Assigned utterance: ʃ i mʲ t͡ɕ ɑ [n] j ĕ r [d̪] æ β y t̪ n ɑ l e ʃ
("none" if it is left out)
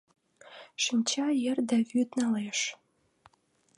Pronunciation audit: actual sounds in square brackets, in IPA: none, d̪

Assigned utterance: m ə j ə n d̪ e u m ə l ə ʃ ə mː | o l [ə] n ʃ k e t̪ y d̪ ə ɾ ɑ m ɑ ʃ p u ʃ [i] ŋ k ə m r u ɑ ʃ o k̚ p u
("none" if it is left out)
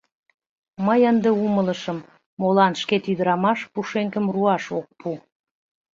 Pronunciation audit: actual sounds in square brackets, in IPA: ɑ, e

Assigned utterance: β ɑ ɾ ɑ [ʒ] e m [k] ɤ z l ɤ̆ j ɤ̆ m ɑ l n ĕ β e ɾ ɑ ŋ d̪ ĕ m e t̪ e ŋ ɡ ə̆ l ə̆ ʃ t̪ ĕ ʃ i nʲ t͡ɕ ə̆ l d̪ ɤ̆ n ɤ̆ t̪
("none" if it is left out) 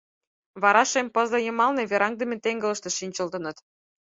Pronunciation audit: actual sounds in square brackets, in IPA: ʃ, p

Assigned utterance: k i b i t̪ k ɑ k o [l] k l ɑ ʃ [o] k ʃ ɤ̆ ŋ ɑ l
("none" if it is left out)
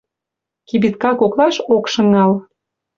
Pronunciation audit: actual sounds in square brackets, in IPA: none, o

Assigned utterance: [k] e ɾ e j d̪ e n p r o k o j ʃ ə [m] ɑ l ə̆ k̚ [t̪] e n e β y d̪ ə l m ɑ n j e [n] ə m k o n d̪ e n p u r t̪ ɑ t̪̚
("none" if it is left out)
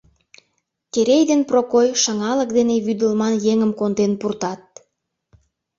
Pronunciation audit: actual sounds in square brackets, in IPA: k, ŋ, d̪, ŋ

